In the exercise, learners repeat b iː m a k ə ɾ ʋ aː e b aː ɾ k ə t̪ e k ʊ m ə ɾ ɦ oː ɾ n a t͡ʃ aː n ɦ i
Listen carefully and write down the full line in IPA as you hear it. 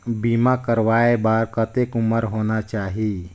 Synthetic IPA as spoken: b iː m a k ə ɾ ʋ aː e b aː ɾ k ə t̪ e k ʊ m ə ɾ ɦ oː n a t͡ʃ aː ɦ i

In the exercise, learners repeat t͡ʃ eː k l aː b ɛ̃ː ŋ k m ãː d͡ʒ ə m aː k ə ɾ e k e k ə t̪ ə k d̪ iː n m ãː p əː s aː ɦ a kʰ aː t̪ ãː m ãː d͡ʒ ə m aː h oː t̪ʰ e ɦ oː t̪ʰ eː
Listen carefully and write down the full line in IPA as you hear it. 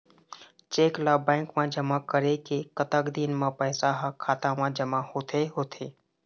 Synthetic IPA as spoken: t͡ʃ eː k l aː b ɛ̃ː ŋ k m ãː d͡ʒ ə m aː k ə ɾ e k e k ə t̪ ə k d̪ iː n m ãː p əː s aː ɦ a kʰ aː t̪ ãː m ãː d͡ʒ ə m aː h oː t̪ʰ e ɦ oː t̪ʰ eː

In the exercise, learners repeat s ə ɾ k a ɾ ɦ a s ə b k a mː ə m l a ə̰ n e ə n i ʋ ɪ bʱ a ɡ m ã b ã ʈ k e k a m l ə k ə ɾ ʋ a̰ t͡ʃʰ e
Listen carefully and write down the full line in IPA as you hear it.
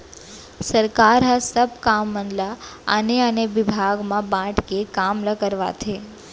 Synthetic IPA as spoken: s ə ɾ k a ɾ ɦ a s ə b k a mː ə n l a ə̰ n e ə n e ʋ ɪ bʱ a ɡ m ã b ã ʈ k e k a m l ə k ə ɾ ʋ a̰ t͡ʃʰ e

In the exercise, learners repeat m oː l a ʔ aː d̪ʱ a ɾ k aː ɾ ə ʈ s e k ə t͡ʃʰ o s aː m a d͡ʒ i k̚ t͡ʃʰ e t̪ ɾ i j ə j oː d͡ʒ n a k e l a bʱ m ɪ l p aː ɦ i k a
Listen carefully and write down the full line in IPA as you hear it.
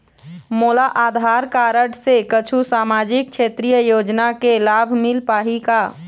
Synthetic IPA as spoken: m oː l a ʔ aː d̪ʱ a ɾ k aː ɾ ə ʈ s e k ə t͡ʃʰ u s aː m a d͡ʒ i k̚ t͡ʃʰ e t̪ ɾ i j ə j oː d͡ʒ n a k e l a bʱ m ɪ l p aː ɦ i k a

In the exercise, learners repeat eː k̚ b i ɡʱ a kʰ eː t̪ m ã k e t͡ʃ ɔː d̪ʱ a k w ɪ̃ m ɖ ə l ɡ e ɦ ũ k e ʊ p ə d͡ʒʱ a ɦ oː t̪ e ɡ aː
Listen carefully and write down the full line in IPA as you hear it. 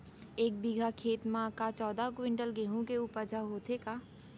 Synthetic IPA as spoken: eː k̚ b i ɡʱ a kʰ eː t̪ m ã k a t͡ʃ ɔː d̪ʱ a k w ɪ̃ ɳ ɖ ə l ɡ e ɦ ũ k e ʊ p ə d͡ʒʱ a ɦ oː t̪ e k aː

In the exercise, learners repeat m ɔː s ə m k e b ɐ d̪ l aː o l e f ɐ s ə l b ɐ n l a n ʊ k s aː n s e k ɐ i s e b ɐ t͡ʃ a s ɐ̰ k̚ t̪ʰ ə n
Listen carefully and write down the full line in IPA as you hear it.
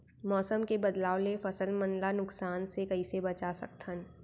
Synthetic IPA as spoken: m ɔː s ə m k e b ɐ d̪ l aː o l e f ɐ s ə l m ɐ n l a n ʊ k s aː n s e k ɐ i s e b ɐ t͡ʃ a s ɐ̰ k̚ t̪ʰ ə n

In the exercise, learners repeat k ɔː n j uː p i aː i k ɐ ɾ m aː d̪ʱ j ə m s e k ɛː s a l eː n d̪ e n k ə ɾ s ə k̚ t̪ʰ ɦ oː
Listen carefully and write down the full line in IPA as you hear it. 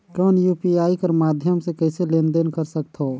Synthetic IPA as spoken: k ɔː n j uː p i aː i k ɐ ɾ m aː d̪ʱ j ə m s e k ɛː s e l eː n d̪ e n k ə ɾ s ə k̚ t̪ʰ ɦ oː

